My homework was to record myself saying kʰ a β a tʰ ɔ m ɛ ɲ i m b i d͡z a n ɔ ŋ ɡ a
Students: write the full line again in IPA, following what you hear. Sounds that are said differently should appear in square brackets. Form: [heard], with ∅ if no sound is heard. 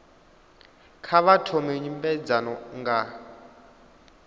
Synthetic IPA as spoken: kʰ a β a tʰ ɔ m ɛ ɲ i m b [ɛ] d͡z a n ɔ ŋ ɡ a